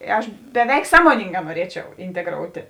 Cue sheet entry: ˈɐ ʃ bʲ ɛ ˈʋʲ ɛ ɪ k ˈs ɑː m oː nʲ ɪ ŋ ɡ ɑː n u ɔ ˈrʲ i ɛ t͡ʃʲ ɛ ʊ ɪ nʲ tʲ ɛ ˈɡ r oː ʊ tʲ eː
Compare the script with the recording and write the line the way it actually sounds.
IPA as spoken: ˈɐ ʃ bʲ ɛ ˈʋʲ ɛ ɪ k ˈs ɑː m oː nʲ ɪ ŋ ɡ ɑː n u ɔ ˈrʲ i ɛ t͡ʃʲ ɛ ʊ ɪ nʲ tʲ ɛ ˈɡ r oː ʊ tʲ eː